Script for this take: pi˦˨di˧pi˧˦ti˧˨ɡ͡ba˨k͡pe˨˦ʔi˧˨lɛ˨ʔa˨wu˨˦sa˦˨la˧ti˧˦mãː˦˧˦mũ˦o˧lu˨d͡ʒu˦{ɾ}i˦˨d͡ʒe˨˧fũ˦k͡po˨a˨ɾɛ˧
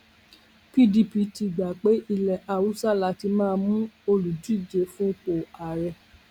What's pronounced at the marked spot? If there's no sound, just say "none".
none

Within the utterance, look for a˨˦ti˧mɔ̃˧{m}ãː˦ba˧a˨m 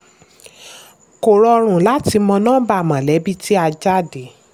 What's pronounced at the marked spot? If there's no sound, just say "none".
n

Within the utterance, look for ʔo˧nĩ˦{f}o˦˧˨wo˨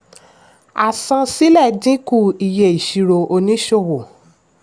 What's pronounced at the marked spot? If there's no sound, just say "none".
ʃ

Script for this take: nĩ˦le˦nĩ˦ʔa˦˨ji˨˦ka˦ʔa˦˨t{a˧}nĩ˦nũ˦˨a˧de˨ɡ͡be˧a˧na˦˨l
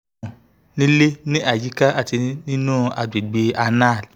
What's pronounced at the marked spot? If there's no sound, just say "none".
i˧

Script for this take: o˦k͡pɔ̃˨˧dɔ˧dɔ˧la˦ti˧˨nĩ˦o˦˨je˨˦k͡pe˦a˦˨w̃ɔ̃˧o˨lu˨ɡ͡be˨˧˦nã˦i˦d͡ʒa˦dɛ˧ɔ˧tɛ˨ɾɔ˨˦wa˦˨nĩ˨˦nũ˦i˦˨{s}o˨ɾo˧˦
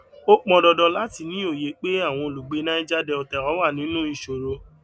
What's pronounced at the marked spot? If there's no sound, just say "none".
ʃ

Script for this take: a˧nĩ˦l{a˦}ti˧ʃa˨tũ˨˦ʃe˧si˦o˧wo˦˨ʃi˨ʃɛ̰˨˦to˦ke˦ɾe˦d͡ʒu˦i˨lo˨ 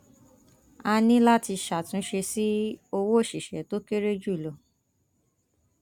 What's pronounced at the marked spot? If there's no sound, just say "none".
a˦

